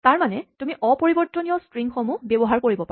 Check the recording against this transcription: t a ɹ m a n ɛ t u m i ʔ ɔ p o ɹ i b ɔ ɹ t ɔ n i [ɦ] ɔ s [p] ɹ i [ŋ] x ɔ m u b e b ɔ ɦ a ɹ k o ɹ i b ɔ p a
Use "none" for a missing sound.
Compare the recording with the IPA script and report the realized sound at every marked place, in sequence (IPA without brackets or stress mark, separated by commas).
none, t, ŋ